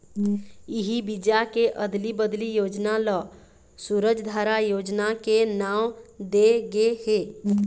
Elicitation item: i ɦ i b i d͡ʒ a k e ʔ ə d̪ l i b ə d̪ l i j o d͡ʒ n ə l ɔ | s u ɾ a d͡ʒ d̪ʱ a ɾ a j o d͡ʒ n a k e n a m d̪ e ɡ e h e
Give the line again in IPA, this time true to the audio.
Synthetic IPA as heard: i ɦ i b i d͡ʒ a k e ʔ ə d̪ l i b ə d̪ l i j o d͡ʒ n a l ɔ | s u ɾ ə d͡ʒ d̪ʱ a ɾ a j o d͡ʒ n a k e n a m d̪ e ɡ e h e